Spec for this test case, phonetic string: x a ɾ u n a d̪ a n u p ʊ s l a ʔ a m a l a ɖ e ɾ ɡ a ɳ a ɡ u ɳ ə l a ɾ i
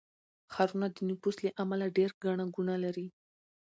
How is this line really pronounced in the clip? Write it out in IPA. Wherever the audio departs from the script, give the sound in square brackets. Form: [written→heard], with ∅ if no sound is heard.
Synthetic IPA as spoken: x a ɾ u n a d̪ [a→ə] n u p [ʊ→u] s l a ʔ a m a l a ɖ e ɾ ɡ a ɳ a ɡ u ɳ [ə→a] l a ɾ i

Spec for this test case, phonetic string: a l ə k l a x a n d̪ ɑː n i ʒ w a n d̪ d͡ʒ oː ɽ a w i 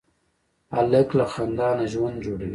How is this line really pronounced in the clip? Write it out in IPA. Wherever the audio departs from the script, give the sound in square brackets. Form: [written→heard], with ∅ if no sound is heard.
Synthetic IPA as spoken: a l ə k l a x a n d̪ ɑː n [i→a] ʒ w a n d̪ d͡ʒ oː ɽ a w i

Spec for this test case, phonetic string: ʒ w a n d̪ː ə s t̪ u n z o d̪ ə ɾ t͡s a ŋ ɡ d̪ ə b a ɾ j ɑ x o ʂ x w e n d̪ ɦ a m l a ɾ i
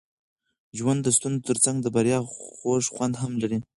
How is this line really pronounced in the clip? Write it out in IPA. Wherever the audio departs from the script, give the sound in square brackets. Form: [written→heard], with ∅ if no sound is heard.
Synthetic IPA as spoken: ʒ w a n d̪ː ə s t̪ u n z o [d̪→t̪] ə ɾ t͡s a ŋ ɡ d̪ ə b a ɾ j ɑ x o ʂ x w [e→a] n d̪ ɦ a m l a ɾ i

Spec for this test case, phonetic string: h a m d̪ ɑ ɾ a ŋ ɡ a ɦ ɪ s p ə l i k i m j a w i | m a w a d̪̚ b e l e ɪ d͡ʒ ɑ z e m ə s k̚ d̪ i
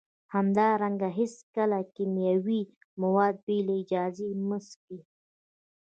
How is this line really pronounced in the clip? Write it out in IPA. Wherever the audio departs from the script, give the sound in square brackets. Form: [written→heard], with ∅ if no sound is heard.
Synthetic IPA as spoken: h a m d̪ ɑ ɾ a ŋ ɡ a ɦ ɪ s [p→k] ə l [i→a] k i m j a w i | m a w [a→ɑ] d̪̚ b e l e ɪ d͡ʒ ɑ z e m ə s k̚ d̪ i

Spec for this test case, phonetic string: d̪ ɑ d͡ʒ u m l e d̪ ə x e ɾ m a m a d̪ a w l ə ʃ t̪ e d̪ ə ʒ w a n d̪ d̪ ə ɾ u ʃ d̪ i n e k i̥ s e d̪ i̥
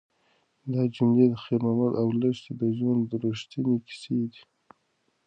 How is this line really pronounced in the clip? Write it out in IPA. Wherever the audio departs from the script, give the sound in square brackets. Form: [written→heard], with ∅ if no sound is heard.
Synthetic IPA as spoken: d̪ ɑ d͡ʒ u m l e d̪ ə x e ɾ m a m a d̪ a w l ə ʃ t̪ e d̪ ə ʒ w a n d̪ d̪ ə ɾ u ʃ [d̪→t̪] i n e k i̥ s e d̪ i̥

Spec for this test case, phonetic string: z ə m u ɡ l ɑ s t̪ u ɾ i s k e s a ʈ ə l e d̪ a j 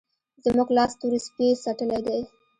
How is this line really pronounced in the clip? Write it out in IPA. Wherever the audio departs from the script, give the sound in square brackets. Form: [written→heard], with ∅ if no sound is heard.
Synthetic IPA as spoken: z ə m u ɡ l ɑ s t̪ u ɾ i s [k→p] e s a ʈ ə l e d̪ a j

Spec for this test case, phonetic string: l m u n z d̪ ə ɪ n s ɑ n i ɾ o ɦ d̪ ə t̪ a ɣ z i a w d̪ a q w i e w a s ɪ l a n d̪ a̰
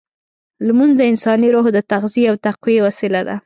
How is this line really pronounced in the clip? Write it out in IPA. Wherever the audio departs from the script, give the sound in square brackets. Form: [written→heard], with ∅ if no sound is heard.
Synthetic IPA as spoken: l m u n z d̪ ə ɪ n s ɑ n i ɾ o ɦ d̪ ə t̪ a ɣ z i a w [d̪→t̪] a q w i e w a s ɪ l a [n→∅] d̪ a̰

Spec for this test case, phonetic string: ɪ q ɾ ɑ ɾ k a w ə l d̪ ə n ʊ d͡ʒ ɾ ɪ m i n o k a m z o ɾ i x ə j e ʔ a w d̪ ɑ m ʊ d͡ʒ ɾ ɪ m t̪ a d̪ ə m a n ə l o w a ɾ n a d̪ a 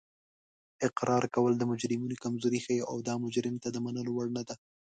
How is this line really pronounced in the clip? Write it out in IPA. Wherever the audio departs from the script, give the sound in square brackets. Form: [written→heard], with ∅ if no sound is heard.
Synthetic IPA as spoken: ɪ q ɾ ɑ ɾ k a w ə l d̪ ə [n→m] ʊ d͡ʒ ɾ ɪ m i n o k a m z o ɾ i x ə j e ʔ a w d̪ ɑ m ʊ d͡ʒ ɾ ɪ m t̪ a d̪ ə m a n ə l o w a [ɾ→ɽ] n a d̪ a

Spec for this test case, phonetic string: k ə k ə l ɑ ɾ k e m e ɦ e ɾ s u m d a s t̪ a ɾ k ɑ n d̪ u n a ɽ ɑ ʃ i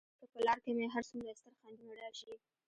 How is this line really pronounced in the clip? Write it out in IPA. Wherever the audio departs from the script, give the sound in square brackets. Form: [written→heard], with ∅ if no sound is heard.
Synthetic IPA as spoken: k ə [k→p] ə l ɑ ɾ k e m e ɦ [e→a] ɾ s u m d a s t̪ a ɾ [k→x] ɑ n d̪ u n a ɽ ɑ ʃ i

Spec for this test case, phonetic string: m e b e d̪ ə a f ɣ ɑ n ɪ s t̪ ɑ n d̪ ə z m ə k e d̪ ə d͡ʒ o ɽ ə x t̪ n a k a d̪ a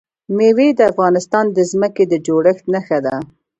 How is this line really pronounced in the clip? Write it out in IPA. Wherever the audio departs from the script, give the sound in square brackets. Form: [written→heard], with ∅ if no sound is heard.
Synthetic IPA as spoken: m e [b→w] e d̪ ə a f ɣ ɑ n ɪ s t̪ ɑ n d̪ ə z m ə k e d̪ ə d͡ʒ o ɽ ə x t̪ n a [k→x] a d̪ a

